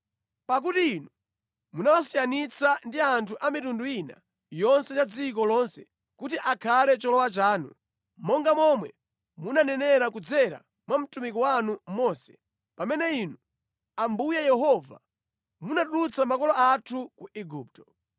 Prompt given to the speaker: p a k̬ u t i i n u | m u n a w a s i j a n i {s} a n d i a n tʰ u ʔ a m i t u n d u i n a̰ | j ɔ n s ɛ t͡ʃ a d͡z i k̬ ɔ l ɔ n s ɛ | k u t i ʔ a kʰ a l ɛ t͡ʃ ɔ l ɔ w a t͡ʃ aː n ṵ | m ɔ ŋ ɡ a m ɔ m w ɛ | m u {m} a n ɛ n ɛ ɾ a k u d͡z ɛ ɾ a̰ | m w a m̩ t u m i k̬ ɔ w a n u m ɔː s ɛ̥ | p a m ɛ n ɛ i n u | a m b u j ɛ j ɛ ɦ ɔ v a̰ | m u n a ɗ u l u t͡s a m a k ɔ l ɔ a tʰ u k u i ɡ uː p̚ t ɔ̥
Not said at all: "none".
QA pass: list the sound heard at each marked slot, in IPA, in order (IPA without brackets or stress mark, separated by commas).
t͡s, n